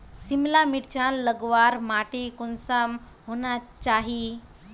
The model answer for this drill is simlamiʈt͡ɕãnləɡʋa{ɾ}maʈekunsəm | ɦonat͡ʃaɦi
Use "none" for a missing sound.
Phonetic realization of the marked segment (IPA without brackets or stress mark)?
ɾ